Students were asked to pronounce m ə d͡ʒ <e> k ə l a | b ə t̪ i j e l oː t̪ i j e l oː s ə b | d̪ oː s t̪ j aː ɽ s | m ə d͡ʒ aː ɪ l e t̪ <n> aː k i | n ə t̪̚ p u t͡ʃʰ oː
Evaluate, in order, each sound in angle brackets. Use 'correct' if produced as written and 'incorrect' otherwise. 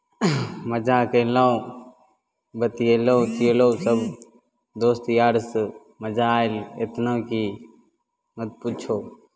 incorrect: a, correct

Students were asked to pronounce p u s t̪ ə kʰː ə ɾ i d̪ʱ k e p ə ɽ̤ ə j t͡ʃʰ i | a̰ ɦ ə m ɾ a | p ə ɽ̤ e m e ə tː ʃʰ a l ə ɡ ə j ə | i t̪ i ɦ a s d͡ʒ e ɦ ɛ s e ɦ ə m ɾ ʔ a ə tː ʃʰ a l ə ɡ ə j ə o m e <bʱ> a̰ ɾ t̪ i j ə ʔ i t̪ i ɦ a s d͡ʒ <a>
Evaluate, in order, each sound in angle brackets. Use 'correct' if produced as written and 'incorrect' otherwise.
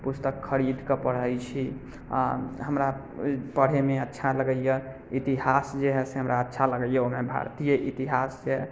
correct, incorrect: e

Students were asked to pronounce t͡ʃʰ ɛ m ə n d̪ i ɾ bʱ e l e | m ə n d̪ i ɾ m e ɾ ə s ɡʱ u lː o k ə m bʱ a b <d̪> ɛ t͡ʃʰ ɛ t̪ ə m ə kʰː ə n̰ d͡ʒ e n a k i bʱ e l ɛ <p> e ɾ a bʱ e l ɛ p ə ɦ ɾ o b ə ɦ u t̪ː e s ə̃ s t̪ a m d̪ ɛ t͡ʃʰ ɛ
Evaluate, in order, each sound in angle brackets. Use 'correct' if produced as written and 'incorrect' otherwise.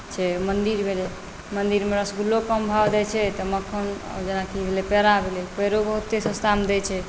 correct, correct

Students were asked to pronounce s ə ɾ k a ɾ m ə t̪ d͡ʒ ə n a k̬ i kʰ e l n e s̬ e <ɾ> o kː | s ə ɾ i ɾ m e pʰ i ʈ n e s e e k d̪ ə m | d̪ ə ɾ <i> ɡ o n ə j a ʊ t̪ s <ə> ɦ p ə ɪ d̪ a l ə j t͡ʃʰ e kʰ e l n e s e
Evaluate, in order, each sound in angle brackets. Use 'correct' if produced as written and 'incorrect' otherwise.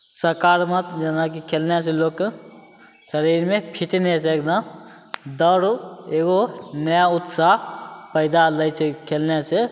incorrect: l, incorrect: e, incorrect: a

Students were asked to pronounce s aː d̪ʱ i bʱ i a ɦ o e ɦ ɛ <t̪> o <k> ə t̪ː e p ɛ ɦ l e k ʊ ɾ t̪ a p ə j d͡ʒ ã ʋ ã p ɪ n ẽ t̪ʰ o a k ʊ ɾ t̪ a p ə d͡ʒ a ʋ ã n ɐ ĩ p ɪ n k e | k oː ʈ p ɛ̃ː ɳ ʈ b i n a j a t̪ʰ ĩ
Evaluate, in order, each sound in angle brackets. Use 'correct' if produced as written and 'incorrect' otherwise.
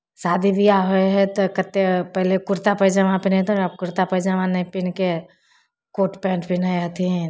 correct, correct

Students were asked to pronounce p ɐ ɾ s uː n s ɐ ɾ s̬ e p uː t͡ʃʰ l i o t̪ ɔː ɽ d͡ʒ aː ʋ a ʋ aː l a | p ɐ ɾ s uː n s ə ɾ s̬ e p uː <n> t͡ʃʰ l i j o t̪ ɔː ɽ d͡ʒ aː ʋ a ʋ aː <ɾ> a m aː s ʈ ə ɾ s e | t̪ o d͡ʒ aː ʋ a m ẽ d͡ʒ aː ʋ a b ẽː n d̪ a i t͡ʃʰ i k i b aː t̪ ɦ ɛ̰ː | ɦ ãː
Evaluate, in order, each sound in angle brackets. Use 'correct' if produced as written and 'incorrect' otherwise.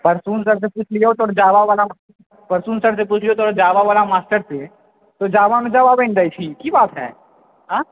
incorrect: none, incorrect: l

